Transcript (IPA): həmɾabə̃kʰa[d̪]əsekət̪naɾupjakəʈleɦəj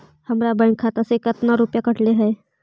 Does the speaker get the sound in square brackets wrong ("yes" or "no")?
yes